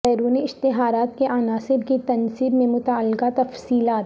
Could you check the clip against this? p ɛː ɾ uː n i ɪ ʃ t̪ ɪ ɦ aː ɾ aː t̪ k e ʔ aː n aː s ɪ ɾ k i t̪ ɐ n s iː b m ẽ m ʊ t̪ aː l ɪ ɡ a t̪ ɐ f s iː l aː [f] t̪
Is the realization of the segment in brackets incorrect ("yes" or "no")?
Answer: yes